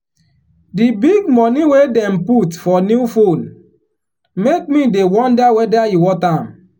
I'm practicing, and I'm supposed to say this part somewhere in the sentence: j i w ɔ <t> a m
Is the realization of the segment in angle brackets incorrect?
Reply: no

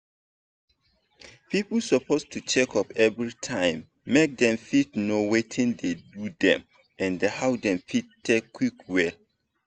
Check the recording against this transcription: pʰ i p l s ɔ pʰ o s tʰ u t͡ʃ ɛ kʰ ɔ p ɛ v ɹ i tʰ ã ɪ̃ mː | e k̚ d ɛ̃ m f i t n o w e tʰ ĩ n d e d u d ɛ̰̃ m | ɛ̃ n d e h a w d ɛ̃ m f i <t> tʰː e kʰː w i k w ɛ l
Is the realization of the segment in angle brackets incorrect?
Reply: no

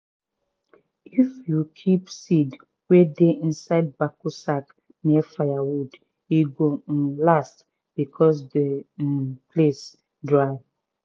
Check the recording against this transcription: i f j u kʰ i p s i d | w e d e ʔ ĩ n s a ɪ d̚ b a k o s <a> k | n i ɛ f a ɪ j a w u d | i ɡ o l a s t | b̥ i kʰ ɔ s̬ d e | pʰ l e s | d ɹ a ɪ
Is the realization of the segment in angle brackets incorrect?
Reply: no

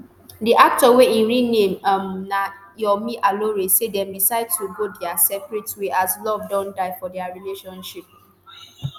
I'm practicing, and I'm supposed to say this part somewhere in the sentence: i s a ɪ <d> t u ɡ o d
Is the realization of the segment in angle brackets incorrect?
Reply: no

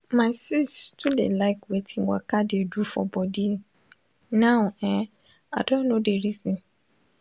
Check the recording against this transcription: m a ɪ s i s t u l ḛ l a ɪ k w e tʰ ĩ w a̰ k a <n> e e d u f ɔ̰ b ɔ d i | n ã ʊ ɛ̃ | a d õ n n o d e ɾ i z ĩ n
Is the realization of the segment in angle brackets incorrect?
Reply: yes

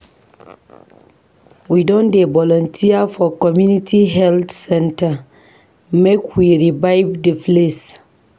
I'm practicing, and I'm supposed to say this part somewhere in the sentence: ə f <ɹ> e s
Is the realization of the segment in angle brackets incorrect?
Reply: yes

